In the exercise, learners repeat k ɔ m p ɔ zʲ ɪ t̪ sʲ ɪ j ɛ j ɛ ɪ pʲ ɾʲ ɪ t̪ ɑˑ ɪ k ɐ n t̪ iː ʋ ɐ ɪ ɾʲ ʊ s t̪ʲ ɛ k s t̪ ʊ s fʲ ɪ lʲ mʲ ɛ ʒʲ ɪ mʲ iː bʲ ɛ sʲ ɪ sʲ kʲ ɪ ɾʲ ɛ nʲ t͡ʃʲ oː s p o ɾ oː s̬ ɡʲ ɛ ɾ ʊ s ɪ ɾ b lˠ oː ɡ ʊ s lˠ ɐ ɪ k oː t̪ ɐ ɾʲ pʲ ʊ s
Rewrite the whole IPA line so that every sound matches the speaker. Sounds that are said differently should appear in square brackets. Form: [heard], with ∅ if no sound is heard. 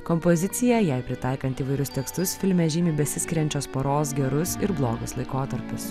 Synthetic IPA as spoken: k ɔ m p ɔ zʲ ɪ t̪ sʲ ɪ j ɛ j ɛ ɪ pʲ ɾʲ ɪ t̪ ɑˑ ɪ k ɐ n t̪ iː ʋ ɐ ɪ ɾʲ ʊ s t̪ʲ ɛ k s t̪ ʊ s fʲ ɪ lʲ mʲ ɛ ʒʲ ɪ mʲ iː bʲ ɛ sʲ ɪ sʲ kʲ ɪ ɾʲ ɛ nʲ t͡ʃʲ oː s p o ɾ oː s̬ ɡʲ ɛ ɾ ʊ s ɪ ɾ b lˠ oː ɡ ʊ s lˠ ɐ ɪ k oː t̪ ɐ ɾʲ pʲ ʊ s